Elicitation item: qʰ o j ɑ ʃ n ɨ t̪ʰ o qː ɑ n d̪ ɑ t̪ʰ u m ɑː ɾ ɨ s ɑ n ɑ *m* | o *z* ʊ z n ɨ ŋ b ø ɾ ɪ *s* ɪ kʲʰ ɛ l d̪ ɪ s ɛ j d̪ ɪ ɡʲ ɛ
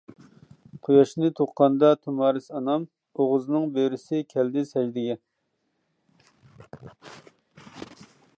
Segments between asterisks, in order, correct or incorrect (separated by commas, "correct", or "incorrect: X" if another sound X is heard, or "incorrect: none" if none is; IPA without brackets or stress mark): correct, incorrect: ʁ, correct